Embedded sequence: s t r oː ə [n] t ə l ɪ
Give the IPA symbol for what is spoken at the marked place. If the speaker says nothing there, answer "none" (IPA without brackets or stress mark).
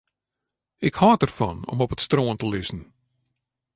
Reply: n